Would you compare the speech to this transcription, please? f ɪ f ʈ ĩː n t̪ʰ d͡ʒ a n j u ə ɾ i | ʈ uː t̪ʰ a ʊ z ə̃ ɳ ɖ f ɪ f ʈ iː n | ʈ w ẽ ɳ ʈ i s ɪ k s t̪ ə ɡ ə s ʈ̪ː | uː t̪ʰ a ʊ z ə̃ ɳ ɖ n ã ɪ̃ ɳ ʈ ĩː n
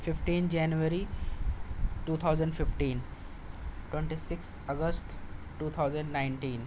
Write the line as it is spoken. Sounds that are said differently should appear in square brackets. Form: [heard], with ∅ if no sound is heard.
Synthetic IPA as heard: f ɪ f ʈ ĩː n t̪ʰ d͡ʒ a n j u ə ɾ i | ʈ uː t̪ʰ a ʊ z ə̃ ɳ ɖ f ɪ f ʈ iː n | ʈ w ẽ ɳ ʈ i s ɪ k s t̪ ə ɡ ə s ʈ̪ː | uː t̪ʰ a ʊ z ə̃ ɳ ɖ n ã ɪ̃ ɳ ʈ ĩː n